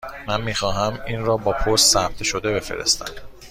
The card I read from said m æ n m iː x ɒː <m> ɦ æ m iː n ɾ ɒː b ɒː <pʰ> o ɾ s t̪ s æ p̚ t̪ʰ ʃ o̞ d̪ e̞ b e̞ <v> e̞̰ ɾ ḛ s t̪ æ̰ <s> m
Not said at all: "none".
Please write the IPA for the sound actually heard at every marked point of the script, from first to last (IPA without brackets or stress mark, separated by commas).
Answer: none, pʰ, f, none